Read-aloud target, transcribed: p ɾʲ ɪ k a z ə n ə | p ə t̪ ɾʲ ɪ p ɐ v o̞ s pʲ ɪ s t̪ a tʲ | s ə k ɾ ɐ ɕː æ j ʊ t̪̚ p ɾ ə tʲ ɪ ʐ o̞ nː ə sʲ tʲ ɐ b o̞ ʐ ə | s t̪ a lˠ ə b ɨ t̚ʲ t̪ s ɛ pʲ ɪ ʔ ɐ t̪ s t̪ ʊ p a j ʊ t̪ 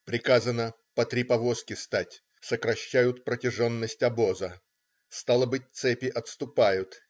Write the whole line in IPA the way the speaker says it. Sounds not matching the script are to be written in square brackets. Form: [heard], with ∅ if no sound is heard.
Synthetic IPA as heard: p ɾʲ ɪ k a z ə n ə | p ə t̪ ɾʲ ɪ p ɐ v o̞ s [kʲ] ɪ s t̪ a tʲ | s ə k ɾ ɐ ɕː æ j ʊ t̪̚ p ɾ ə tʲ ɪ ʐ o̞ nː ə sʲ tʲ ɐ b o̞ [z] ə | s t̪ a lˠ ə b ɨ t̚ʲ t̪ s ɛ pʲ ɪ ʔ ɐ t̪ s t̪ ʊ p a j ʊ t̪